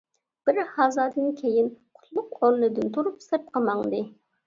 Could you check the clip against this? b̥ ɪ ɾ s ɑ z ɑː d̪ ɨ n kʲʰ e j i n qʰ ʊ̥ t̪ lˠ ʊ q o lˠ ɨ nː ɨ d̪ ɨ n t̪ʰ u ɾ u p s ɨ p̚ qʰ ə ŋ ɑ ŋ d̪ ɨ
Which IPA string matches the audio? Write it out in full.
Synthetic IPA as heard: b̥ ɪ ɾ h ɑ z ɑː d̪ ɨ n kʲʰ e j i n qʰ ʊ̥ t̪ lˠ ʊ q o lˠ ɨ n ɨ d̪ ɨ n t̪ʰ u ɾ u p s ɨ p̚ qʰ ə m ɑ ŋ d̪ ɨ

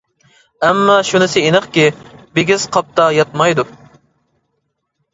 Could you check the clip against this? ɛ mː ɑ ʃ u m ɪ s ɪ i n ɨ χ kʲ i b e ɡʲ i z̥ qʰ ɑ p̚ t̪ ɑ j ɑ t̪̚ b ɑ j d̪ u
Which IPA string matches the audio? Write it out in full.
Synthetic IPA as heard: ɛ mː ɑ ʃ u n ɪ s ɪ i n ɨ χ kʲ i b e ɡʲ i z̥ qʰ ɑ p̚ t̪ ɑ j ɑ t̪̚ m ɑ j d̪ u

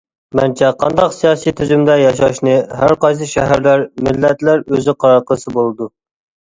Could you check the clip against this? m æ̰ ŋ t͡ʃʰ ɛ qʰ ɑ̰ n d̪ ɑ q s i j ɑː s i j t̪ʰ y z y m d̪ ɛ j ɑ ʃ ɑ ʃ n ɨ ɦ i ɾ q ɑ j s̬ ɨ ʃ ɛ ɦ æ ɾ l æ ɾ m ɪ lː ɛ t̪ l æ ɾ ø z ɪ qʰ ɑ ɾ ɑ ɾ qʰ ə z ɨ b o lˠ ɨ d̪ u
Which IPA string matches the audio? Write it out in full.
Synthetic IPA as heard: m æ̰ n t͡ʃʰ ɛ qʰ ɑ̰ n d̪ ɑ q s i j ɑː s i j t̪ʰ y z y m d̪ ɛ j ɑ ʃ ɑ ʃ n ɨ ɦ æ ɾ q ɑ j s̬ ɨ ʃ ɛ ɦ æ ɾ l æ ɾ m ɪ lː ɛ t̪ l æ ɾ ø z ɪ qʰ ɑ ɾ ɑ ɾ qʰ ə s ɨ b o lˠ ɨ d̪ u

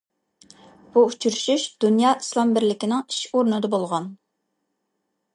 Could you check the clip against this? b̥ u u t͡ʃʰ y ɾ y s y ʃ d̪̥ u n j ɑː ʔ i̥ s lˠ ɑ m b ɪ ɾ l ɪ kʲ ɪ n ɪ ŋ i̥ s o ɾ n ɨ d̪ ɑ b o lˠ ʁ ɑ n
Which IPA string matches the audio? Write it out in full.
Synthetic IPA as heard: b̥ u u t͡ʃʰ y ɾ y ʃ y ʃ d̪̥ u n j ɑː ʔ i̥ s lˠ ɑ m b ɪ ɾ l ɪ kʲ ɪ n ɪ ŋ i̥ ʃ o ɾ n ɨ d̪ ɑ b o lˠ ʁ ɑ n

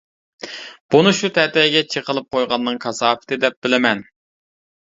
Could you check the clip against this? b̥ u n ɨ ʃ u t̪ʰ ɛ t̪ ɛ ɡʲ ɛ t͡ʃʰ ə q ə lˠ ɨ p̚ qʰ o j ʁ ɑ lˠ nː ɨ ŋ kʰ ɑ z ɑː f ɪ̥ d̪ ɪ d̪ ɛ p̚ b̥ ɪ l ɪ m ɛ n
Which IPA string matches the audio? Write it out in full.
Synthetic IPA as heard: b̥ u n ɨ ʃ u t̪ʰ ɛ t̪ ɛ ɡʲ ɛ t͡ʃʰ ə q ə lˠ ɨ p̚ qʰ o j ʁ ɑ nː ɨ ŋ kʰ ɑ s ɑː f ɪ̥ t̪ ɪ d̪ ɛ p̚ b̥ ɪ l ɪ m ɛ n

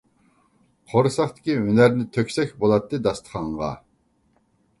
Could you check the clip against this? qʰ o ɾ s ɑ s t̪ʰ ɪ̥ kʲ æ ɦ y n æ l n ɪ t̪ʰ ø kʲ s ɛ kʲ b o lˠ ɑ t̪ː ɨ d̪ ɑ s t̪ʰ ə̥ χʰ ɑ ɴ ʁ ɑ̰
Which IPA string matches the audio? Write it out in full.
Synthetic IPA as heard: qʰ o ɾ s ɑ χ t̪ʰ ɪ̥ kʲ i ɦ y n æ ɾ n ɪ t̪ʰ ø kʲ s ɛ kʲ b o lˠ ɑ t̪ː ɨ d̪ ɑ s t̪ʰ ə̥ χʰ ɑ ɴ ʁ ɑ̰

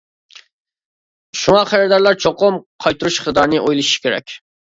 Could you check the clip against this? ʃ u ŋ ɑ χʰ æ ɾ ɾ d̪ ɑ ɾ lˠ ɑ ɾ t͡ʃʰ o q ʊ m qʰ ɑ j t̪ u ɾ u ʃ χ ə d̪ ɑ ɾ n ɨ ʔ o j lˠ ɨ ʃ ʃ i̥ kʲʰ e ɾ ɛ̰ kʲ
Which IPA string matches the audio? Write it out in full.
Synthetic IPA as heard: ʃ u ŋ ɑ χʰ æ ɾ ɾ d̪ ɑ ɾ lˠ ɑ ɾ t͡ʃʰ o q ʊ m qʰ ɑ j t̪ u ɾ u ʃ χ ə d̪ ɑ ɾ n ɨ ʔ o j lˠ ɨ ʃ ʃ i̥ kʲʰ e ɾ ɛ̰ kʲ

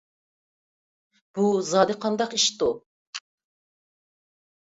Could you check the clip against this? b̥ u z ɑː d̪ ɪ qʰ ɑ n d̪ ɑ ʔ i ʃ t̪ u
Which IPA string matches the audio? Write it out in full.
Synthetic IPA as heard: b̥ u z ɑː d̪ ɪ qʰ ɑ n d̪ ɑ q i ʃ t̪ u

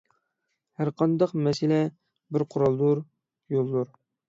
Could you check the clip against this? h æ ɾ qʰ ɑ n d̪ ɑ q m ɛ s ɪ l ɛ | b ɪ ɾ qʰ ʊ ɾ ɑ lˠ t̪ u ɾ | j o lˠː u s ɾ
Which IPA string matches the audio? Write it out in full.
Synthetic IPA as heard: h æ ɾ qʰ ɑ n d̪ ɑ q m ɛ s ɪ l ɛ | b ɪ ɾ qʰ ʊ ɾ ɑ lˠ d̪ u ɾ | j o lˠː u ɾ

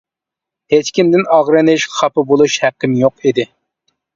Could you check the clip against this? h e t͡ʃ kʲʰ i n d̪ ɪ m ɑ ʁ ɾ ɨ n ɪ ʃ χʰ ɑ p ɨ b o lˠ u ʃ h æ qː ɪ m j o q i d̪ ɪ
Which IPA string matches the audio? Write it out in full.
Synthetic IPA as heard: h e t͡ʃ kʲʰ i m d̪ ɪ n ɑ ʁ ɾ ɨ n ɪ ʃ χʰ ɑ p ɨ b o lˠ u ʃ h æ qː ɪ m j o q i d̪ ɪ

